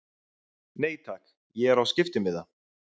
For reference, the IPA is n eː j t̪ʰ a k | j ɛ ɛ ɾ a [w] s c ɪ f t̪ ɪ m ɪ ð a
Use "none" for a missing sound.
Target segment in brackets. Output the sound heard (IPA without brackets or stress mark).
w